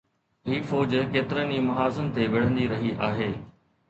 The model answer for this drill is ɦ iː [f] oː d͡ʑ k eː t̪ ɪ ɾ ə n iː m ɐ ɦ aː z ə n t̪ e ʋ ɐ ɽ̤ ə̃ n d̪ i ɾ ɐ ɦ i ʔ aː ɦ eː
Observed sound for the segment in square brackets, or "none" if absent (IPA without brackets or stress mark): f